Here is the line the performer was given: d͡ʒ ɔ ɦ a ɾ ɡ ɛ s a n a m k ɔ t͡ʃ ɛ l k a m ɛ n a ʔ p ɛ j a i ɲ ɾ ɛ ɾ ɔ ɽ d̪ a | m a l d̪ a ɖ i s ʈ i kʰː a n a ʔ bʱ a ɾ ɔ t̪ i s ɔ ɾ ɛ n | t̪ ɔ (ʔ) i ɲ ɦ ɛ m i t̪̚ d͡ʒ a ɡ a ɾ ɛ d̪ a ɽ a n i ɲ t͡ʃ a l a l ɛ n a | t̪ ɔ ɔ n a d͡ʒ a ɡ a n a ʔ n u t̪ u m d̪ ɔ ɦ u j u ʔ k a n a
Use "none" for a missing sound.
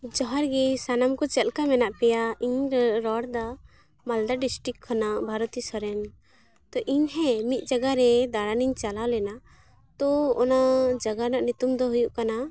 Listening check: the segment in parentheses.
ʔ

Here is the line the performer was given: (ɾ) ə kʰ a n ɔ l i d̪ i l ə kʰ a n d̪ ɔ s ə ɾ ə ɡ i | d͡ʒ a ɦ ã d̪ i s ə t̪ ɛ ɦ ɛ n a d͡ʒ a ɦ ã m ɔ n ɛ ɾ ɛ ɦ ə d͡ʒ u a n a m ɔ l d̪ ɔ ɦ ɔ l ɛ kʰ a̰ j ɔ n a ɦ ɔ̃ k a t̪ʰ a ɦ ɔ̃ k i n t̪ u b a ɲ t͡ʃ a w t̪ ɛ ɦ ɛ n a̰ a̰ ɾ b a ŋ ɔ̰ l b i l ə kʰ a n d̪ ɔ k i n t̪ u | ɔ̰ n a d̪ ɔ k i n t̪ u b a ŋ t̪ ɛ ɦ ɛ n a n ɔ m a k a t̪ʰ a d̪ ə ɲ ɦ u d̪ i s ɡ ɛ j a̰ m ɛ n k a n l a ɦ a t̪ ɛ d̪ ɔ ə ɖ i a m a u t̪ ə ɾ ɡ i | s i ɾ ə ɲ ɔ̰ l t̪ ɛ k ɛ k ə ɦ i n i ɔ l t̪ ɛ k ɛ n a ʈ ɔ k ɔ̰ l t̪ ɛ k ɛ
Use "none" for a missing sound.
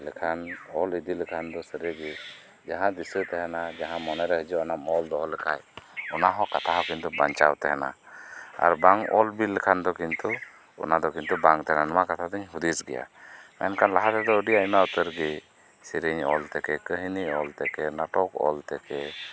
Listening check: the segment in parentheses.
l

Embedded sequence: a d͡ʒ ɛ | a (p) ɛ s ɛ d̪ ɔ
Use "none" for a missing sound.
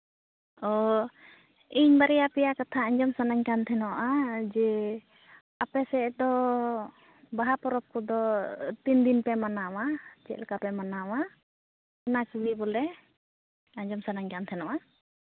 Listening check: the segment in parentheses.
p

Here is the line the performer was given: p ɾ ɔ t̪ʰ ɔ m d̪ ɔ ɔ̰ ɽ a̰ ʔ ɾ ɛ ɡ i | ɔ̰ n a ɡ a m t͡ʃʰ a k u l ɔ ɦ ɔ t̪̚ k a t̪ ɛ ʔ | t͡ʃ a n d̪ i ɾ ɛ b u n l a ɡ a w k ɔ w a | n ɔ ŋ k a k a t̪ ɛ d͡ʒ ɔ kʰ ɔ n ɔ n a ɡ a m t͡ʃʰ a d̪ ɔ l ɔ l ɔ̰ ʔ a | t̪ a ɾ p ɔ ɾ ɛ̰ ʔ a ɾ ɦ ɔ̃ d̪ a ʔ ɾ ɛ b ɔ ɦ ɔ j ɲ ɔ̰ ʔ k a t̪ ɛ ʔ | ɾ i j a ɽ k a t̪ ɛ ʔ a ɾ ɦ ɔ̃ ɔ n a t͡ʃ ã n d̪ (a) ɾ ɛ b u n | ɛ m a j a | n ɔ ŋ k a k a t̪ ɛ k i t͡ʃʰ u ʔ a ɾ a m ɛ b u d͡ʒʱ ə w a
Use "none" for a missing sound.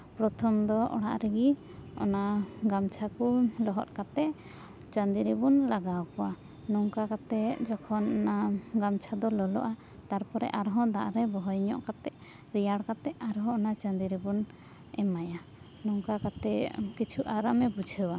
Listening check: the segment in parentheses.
i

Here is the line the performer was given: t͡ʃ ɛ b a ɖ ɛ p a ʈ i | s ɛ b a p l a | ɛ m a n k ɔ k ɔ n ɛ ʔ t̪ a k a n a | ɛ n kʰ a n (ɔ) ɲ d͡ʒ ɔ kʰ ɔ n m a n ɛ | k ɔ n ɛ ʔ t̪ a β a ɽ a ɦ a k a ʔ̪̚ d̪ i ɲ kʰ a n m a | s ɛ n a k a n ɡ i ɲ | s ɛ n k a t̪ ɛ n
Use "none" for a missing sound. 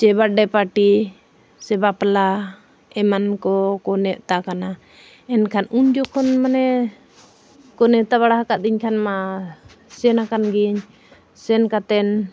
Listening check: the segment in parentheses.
u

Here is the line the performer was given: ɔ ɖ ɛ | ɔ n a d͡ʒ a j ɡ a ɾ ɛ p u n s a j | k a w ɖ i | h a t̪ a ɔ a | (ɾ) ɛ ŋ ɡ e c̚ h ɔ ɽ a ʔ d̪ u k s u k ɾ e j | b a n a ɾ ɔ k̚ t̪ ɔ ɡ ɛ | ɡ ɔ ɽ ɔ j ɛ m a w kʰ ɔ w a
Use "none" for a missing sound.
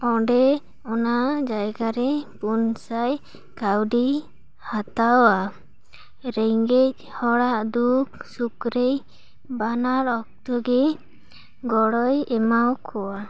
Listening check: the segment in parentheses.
ɾ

